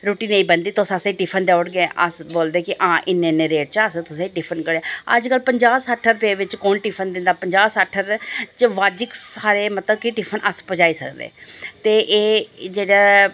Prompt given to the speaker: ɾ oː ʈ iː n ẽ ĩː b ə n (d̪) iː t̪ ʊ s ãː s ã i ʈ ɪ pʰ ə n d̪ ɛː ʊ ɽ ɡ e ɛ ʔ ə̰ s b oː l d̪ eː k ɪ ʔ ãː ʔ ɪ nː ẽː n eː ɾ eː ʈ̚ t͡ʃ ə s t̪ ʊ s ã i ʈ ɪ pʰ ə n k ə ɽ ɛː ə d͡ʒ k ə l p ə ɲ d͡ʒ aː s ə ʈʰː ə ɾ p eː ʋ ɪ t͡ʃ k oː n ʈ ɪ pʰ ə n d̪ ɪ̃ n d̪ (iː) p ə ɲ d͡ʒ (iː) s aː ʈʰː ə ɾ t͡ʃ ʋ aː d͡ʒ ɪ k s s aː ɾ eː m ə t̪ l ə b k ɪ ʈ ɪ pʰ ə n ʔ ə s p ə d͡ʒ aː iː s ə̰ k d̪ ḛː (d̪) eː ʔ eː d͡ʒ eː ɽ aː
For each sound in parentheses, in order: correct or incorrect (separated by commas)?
correct, incorrect, incorrect, incorrect